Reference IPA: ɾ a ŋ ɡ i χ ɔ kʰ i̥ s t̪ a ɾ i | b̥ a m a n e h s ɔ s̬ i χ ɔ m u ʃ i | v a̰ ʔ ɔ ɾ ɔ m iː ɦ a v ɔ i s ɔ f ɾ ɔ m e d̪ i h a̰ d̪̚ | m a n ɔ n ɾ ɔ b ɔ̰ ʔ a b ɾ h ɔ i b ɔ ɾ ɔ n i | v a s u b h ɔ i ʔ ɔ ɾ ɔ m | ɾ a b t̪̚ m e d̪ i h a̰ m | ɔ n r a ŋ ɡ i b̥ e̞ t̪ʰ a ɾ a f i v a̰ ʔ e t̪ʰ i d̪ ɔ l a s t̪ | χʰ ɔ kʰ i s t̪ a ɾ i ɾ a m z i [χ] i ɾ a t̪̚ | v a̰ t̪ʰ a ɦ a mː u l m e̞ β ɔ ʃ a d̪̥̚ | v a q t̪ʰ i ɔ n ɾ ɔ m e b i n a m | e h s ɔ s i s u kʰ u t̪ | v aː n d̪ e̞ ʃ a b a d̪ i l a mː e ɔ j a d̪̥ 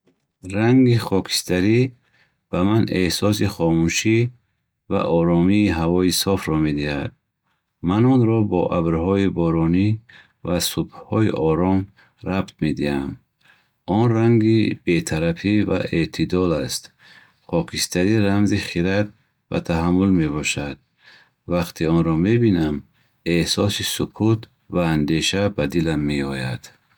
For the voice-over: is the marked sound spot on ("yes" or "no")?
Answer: yes